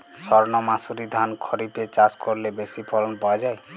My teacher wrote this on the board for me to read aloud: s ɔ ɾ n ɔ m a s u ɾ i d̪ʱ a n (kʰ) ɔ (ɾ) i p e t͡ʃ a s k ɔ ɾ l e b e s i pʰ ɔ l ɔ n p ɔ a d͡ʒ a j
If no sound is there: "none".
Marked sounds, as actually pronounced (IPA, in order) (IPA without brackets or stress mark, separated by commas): kʰ, ɾ